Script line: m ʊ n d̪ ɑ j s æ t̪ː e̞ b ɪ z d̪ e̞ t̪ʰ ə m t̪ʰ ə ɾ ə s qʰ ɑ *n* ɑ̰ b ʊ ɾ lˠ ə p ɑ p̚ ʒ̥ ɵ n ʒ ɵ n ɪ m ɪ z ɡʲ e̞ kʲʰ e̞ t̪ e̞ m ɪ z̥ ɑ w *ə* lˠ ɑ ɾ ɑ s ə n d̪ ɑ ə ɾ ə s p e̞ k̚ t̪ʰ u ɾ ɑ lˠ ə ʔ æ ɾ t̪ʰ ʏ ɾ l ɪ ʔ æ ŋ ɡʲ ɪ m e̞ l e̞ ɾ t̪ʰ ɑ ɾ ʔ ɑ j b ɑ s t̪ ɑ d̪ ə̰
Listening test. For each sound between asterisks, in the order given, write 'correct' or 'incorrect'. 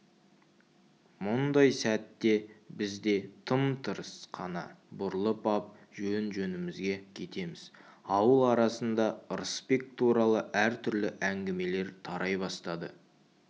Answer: correct, correct

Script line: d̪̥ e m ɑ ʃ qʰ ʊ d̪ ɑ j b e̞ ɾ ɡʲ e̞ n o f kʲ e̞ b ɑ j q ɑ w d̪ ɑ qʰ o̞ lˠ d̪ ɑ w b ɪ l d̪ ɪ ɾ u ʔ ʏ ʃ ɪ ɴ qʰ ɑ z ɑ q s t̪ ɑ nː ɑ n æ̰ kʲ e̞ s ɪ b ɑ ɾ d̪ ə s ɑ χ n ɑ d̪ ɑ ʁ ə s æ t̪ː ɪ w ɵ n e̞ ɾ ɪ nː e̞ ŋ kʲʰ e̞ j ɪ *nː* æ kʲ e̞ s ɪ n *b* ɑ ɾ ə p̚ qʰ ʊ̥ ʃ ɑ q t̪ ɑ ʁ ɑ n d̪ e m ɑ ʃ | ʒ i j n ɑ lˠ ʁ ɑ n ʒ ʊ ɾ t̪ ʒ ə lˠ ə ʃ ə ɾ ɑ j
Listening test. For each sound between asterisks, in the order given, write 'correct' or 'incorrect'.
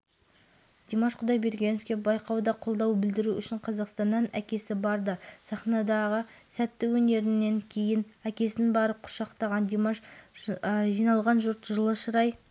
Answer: incorrect, correct

